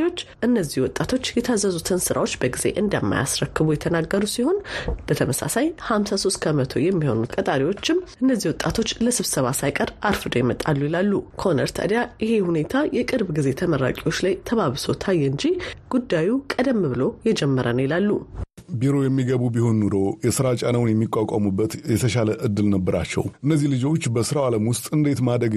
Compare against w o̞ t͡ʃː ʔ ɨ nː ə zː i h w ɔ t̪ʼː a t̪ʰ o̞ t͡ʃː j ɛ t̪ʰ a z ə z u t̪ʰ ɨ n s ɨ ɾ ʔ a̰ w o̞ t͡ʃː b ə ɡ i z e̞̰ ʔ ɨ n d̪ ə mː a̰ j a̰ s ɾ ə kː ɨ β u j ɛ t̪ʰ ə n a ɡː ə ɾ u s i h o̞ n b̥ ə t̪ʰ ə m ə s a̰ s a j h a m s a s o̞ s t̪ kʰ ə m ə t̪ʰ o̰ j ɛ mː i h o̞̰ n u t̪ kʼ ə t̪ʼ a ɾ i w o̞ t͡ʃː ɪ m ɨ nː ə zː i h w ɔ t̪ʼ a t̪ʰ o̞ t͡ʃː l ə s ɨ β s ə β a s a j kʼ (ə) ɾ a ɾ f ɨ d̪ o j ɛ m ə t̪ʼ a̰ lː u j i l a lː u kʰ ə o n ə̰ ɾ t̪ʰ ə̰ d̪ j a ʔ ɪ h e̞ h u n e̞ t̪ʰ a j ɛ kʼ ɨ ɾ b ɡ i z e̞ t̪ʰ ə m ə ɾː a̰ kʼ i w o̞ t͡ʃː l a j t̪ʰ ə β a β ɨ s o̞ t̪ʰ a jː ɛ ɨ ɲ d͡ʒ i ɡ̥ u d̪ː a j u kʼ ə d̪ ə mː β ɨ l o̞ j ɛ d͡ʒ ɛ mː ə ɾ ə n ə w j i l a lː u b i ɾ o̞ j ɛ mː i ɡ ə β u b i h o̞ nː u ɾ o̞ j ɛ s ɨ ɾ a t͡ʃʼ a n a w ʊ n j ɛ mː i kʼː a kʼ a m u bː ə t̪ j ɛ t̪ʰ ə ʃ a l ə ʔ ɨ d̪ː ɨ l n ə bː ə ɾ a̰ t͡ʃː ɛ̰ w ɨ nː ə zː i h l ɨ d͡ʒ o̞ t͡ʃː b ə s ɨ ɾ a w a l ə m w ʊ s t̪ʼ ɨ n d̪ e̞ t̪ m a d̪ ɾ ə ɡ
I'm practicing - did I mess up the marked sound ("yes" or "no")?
no